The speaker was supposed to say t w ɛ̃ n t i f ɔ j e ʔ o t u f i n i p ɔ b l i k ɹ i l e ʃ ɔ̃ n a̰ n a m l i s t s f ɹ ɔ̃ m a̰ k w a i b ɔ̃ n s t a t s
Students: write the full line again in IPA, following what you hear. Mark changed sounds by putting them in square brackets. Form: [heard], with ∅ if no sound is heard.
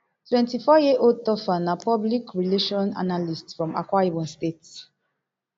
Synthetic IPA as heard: t w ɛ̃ n t i f ɔ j e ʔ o t [ɔ] f [a] n [a] p ɔ b l i k ɹ i l e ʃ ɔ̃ n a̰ n a [∅] l i s t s f ɹ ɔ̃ m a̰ k w a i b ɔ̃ n s t [e] t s